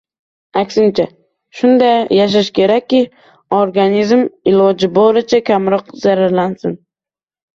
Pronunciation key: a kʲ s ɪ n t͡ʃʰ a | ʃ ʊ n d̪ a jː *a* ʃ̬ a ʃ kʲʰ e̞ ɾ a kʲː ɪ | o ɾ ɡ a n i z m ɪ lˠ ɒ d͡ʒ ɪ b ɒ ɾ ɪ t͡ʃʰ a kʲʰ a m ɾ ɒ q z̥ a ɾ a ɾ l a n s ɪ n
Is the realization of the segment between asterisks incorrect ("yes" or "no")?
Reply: no